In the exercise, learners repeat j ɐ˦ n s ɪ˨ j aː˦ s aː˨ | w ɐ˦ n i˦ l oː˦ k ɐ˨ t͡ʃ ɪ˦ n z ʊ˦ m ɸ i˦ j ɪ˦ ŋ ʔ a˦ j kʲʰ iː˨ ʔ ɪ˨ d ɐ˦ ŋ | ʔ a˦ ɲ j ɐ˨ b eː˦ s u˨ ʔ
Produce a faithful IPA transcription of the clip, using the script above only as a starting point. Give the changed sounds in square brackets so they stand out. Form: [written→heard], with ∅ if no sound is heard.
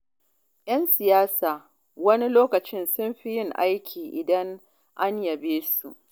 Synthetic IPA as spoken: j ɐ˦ n s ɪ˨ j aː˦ s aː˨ | w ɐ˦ n i˦ l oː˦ k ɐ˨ t͡ʃ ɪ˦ n [z→s] ʊ˦ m ɸ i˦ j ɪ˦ ŋ ʔ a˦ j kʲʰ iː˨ ʔ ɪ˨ d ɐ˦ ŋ | ʔ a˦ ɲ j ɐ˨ b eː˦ s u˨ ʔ